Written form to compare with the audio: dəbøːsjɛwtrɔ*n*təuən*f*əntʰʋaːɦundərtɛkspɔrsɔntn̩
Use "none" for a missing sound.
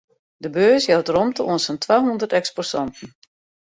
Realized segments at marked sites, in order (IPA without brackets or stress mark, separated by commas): m, s